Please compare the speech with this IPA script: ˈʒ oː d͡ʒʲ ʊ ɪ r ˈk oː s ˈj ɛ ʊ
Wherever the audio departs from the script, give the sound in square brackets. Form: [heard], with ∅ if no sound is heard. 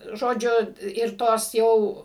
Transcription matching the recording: ˈʒ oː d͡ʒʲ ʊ ɪ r [ˈt] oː s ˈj ɛ ʊ